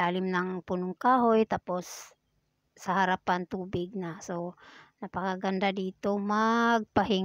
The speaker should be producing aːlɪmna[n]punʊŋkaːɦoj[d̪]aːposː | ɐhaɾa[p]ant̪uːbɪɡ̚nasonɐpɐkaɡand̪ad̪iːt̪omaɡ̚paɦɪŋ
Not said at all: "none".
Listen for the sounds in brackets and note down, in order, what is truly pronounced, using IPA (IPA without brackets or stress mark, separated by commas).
ŋ, t̪, p